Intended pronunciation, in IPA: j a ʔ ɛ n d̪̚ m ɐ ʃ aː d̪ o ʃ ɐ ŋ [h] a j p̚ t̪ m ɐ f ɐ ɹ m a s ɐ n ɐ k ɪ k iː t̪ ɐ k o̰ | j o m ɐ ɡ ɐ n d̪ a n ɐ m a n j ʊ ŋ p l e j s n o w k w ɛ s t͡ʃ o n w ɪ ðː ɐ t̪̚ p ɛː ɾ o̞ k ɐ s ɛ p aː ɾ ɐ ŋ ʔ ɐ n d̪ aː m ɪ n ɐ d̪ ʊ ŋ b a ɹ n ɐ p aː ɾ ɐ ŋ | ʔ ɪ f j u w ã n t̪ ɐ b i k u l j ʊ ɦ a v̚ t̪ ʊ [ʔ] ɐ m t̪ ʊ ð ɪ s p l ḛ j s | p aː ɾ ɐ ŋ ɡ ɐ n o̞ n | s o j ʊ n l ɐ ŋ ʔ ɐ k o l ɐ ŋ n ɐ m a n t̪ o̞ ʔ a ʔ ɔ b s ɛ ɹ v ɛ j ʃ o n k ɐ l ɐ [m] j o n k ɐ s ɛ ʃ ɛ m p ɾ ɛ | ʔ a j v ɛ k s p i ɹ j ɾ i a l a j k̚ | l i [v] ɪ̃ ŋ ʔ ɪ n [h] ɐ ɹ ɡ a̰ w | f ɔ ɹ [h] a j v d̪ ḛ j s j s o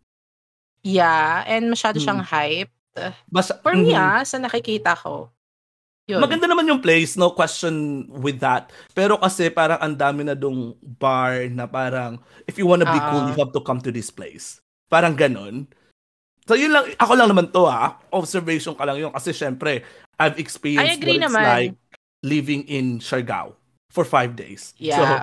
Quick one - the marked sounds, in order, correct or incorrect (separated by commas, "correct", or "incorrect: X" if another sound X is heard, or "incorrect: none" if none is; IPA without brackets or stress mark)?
correct, incorrect: k, incorrect: ŋ, correct, incorrect: ʃ, incorrect: f